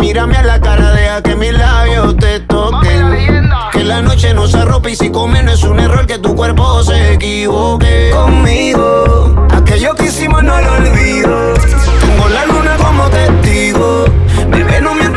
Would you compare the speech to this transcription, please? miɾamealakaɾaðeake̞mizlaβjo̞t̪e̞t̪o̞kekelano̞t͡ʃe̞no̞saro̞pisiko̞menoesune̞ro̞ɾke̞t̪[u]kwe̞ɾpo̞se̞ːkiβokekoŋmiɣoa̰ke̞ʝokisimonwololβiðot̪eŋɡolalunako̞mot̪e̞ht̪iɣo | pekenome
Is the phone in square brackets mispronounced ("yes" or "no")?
no